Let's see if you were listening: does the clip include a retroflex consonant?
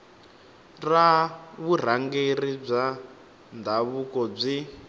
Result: yes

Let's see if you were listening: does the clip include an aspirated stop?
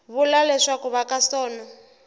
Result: no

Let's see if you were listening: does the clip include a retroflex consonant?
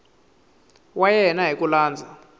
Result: no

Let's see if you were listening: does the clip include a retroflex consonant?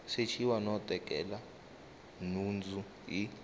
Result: no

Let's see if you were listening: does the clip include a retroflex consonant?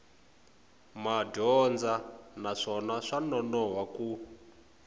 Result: yes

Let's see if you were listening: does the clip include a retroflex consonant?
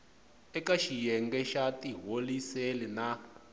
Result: no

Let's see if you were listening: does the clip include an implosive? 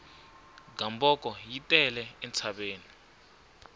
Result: yes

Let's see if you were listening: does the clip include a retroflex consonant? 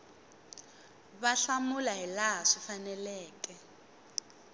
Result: yes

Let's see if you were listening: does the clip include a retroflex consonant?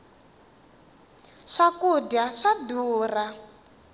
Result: yes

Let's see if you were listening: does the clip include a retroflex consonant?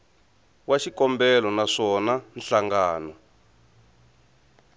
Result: yes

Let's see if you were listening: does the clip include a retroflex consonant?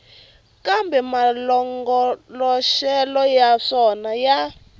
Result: yes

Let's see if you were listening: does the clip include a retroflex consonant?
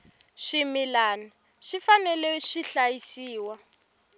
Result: no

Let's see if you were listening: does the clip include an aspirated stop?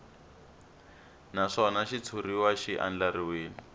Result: yes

